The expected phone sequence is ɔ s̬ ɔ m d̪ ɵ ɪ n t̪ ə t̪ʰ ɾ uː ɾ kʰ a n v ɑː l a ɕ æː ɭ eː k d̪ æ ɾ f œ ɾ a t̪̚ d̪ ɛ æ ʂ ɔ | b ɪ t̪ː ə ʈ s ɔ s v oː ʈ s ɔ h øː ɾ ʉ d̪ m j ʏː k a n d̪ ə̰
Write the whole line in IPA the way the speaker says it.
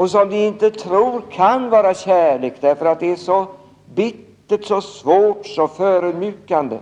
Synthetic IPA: ɔ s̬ ɔ m d̪ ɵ ɪ n t̪ ə t̪ʰ ɾ uː ɾ kʰ a n v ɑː ɾ a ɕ æː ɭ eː k d̪ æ ɾ f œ ɾ a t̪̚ d̪ ɛ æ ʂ ɔ | b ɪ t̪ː ə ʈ s ɔ s v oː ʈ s ɔ f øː ɾ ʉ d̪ m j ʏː k a n d̪ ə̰